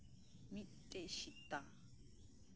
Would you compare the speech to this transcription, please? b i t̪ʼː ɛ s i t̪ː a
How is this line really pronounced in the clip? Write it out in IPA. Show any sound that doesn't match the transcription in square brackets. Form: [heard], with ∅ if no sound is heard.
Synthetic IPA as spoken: [m] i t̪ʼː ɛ [ʃ] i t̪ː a

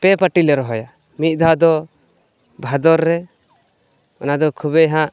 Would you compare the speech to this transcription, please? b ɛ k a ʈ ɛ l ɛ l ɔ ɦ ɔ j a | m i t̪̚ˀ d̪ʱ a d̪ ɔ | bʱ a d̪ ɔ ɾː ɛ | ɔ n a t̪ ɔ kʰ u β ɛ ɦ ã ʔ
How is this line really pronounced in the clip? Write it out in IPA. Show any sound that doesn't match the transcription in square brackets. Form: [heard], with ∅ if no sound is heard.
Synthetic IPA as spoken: [p] ɛ [p] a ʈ [i] l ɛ [ɾ] ɔ ɦ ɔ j a | m i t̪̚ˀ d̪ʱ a d̪ ɔ | bʱ a d̪ ɔ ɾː ɛ | ɔ n a [d̪] ɔ kʰ u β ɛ ɦ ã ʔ

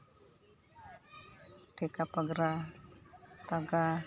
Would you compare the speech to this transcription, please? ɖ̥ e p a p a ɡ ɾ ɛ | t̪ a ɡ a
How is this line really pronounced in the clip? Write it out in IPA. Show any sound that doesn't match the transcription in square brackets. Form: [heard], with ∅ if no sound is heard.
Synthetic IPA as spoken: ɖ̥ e [k] a p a ɡ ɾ [a] | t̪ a ɡ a

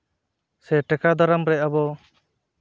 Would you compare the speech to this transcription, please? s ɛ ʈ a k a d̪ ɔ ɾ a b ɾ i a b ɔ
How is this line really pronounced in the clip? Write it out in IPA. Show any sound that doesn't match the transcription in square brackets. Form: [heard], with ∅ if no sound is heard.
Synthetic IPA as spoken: s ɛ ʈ [ɛ] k a d̪ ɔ ɾ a [m] ɾ [ɛ] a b ɔ

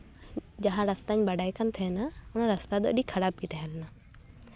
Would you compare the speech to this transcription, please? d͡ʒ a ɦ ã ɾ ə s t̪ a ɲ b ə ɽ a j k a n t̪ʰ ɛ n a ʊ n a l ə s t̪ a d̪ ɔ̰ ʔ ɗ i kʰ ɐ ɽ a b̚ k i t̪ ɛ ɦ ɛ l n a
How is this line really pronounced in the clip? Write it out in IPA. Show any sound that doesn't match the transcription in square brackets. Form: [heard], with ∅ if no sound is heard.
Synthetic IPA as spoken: d͡ʒ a ɦ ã ɾ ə s t̪ a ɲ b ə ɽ a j k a n t̪ʰ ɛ n a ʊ n a [ɾ] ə s t̪ a d̪ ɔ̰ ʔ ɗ i kʰ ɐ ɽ a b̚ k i t̪ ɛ ɦ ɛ l n a

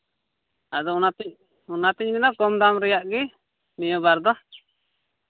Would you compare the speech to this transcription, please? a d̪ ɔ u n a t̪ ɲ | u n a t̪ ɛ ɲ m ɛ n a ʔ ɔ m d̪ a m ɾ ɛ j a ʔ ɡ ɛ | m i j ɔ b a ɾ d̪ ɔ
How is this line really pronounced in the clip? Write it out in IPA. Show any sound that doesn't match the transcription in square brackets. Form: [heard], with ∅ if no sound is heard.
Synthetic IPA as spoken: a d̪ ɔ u n a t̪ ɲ | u n a t̪ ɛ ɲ m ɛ n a [k] ɔ m d̪ a m ɾ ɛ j a ʔ ɡ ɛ | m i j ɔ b a ɾ d̪ ɔ

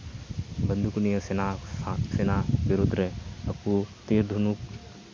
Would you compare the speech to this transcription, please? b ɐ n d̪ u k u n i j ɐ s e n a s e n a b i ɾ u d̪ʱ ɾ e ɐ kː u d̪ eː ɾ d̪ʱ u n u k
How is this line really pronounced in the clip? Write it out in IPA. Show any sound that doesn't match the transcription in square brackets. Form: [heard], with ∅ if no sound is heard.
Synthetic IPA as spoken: b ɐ n d̪ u k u n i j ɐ s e n a s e n a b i ɾ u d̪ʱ ɾ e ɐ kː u [t̪] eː ɾ d̪ʱ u n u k

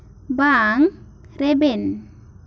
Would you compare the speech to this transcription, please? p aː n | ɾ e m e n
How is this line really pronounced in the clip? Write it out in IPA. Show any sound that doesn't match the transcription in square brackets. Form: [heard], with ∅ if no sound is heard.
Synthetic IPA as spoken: [b] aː [ŋ] | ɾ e [b] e n

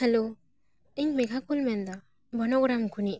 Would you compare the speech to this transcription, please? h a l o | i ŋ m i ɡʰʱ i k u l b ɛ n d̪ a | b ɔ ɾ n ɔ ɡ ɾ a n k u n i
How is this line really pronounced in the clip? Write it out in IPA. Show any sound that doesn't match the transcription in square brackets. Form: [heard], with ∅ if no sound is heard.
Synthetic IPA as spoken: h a l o | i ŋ m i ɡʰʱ [a] k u l [m] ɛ n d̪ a | b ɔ [∅] n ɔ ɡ ɾ a [m] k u n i

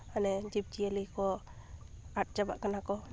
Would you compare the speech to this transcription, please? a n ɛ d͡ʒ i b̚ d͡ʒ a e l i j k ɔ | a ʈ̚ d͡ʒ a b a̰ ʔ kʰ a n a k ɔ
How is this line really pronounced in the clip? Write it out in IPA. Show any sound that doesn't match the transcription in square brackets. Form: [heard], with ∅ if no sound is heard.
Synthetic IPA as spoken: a n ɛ d͡ʒ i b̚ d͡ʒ [i] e l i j k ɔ | a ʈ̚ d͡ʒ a b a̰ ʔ [k] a n a k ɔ

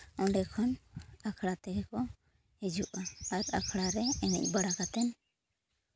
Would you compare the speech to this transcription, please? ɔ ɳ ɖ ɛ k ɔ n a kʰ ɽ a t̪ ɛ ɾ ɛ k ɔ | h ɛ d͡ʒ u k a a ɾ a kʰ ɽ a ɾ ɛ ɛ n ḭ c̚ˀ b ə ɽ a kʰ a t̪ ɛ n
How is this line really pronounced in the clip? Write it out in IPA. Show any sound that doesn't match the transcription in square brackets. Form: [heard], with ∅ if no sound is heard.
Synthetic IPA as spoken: ɔ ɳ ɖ ɛ [kʰ] ɔ n a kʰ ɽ a t̪ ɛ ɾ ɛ k ɔ | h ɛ d͡ʒ u [ʔ] a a ɾ a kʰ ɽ a ɾ ɛ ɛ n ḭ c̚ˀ b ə ɽ a [k] a t̪ ɛ n

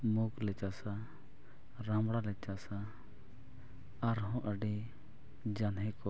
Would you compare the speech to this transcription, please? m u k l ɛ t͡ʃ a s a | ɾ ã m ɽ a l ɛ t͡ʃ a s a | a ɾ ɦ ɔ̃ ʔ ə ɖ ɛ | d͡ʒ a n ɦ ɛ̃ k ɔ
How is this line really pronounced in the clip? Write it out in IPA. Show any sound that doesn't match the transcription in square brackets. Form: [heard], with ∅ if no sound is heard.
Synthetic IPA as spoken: m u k l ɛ t͡ʃ a s a | ɾ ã m ɽ a l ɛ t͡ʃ a s a | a ɾ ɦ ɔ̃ ʔ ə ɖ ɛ | d͡ʒ a n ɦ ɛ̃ k ɔ

